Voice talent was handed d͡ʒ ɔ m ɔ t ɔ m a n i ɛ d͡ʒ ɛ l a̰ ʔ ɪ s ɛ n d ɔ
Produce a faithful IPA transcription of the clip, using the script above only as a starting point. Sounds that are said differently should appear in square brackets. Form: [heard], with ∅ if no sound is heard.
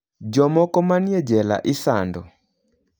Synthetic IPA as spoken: d͡ʒ ɔ m ɔ [k] ɔ m a n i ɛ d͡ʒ ɛ l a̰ ʔ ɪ s [a] n d ɔ